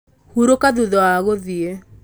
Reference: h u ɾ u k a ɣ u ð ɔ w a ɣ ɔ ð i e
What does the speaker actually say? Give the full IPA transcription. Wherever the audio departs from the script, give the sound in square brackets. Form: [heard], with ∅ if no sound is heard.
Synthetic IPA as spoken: h u ɾ [o] k a [ð] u ð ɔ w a ɣ [o] ð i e